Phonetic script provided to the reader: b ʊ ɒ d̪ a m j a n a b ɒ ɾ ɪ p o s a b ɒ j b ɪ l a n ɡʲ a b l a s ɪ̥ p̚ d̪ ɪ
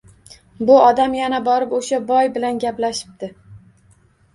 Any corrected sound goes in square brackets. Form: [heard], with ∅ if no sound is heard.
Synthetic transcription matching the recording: b ʊ ɒ d̪ a m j a n a b ɒ ɾ ɪ p o [ʃ] a b ɒ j b ɪ l a n ɡʲ a [p] l a [ʃ] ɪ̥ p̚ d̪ ɪ